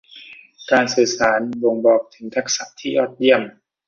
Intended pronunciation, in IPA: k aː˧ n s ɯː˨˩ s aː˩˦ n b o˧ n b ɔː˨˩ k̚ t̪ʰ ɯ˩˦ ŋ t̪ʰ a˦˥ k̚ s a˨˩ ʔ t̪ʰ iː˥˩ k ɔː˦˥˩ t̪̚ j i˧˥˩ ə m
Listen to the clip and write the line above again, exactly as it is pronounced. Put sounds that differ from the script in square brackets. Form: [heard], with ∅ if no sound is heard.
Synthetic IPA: k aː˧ n s ɯː˨˩ s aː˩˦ n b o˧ [ŋ] b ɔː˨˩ k̚ t̪ʰ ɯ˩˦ ŋ t̪ʰ a˦˥ k̚ s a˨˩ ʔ t̪ʰ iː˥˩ [ʔ] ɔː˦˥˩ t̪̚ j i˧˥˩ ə m